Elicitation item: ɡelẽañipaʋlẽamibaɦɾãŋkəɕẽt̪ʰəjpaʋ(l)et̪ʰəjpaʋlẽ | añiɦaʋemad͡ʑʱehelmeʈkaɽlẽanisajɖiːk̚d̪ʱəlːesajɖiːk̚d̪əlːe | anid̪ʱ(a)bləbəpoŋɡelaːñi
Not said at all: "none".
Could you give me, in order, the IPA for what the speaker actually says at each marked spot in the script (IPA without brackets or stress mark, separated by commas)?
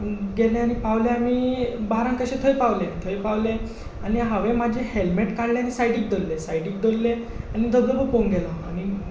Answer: l, ə